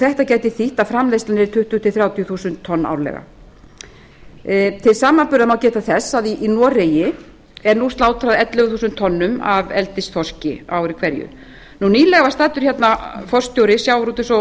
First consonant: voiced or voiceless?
voiceless